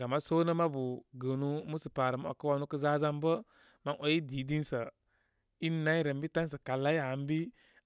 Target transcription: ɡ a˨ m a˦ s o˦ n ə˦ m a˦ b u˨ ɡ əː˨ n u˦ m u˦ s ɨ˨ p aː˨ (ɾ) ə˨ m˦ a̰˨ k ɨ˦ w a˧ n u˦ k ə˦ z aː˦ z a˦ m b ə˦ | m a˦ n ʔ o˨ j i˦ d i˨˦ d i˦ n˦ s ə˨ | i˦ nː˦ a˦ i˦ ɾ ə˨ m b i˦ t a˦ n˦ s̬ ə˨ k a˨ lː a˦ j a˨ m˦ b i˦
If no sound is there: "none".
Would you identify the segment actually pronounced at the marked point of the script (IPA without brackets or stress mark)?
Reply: ɾ